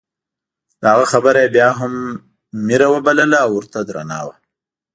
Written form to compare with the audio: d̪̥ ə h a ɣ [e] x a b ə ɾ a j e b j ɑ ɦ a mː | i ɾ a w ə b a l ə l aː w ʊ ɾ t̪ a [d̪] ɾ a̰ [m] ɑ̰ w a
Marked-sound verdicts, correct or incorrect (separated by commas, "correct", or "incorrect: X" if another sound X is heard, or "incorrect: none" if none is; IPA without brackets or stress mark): incorrect: a, correct, incorrect: n